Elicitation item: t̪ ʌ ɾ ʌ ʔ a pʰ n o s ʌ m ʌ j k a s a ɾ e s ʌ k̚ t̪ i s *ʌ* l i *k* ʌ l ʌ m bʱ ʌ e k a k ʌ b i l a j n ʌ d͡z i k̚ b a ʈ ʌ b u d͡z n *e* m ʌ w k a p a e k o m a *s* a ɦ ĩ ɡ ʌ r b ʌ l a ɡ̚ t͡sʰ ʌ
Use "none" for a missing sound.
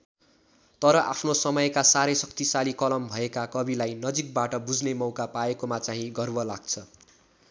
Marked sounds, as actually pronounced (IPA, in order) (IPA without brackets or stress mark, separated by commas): a, k, e, t͡s